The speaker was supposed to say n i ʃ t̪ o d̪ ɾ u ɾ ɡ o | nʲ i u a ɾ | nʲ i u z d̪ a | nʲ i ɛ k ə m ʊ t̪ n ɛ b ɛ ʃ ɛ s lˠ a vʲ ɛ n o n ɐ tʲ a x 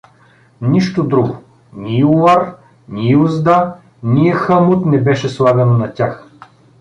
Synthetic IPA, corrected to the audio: n i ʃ t̪ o d̪ ɾ u ɡ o | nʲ i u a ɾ | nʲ i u z d̪ a | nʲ i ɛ x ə m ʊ t̪ n ɛ b ɛ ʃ ɛ s lˠ a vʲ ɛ n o n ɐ tʲ a x